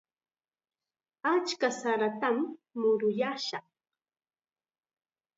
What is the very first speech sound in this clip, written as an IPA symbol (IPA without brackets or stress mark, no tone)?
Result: a